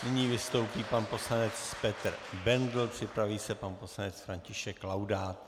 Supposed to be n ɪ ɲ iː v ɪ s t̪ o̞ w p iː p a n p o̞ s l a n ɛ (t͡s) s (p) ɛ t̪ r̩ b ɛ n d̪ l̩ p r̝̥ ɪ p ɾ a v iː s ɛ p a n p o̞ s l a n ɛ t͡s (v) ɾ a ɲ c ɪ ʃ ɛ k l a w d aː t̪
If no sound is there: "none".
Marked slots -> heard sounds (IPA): t͡s, p, f

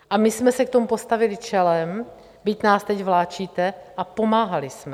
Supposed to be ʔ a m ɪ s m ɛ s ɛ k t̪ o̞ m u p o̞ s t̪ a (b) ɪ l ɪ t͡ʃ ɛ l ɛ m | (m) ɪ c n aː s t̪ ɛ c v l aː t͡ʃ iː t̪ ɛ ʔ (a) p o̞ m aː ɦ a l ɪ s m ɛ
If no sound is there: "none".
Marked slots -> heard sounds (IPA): v, b, a

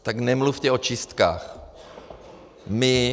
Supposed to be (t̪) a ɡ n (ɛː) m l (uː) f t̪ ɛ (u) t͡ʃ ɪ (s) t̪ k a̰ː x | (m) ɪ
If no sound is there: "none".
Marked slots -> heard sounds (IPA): t̪, ɛ, u, o, s, m

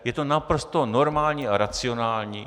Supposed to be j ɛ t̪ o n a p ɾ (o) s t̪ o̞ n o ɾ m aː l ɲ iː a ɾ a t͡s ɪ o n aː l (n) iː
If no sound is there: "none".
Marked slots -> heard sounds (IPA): o, ɲ

